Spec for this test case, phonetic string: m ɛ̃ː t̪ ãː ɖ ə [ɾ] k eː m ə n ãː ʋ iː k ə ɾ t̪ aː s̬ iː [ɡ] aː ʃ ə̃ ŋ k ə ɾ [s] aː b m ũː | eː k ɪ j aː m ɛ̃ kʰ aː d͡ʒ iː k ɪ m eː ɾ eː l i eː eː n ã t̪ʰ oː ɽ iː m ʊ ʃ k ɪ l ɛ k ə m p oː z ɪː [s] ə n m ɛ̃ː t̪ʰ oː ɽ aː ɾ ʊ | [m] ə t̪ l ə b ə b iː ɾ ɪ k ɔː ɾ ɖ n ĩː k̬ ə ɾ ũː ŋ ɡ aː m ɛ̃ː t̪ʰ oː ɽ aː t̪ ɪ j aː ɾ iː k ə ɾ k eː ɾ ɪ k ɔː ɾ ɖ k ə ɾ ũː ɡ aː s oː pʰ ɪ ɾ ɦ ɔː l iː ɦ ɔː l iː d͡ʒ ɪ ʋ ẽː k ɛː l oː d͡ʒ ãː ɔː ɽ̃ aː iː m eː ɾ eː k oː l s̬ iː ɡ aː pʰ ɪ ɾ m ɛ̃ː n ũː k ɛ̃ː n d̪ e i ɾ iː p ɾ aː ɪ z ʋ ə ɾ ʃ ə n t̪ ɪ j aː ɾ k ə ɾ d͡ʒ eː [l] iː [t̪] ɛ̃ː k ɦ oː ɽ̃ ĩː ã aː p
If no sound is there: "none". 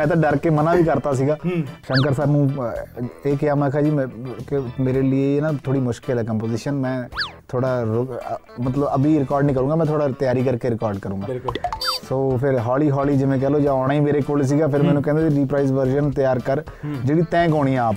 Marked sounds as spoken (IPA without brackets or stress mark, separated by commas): ɾ, ɡ, s, ʃ, m, ɽ, t̪